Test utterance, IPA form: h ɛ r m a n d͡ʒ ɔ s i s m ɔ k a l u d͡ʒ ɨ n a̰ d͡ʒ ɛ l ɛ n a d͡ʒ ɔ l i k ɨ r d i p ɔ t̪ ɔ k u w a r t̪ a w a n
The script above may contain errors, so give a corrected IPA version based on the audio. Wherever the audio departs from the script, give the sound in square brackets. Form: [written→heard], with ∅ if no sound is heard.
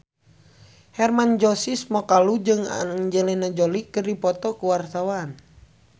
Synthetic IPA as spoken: h ɛ r m a n d͡ʒ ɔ s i s m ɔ k a l u d͡ʒ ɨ [n→ŋ] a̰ d͡ʒ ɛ l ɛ n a d͡ʒ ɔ l i k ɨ r d i p ɔ t̪ ɔ k u w a r t̪ a w a n